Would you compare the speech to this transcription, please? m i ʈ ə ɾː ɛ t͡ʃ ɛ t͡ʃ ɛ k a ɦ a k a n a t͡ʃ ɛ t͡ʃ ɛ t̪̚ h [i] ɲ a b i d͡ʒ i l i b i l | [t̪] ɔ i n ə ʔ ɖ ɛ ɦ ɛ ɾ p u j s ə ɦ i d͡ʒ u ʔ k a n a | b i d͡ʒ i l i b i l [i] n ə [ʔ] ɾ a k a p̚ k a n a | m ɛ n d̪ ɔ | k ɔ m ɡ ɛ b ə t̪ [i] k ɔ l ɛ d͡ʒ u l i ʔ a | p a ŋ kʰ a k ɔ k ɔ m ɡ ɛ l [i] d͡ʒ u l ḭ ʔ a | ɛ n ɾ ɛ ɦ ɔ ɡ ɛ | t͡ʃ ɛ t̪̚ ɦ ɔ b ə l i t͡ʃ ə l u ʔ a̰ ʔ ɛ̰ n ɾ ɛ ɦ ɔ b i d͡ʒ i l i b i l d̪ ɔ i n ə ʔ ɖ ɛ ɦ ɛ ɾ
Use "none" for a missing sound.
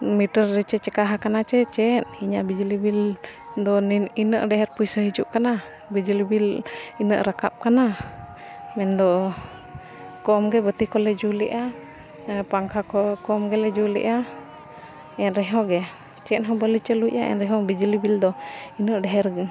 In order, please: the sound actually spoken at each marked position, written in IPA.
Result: i, d̪, i, ʔ, i, ɛ

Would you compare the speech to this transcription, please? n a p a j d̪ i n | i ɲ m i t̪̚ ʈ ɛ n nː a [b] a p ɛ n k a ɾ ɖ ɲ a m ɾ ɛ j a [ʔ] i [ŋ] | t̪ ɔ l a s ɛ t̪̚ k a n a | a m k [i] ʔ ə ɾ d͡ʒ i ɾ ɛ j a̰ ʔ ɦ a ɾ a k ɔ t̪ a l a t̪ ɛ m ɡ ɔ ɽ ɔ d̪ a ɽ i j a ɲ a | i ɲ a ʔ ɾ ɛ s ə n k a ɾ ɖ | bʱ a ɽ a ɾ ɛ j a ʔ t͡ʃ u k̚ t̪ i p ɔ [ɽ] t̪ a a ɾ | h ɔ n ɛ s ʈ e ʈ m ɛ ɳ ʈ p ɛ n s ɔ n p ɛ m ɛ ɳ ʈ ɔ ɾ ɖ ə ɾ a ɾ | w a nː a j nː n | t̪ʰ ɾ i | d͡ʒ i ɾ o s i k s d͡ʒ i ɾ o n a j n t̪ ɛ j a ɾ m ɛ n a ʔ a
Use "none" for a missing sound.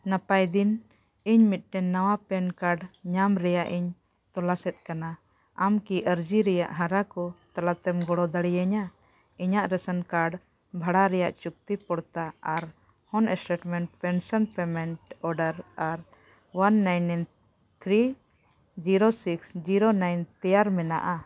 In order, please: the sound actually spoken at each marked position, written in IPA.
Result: w, ʔ, ɲ, i, ɽ

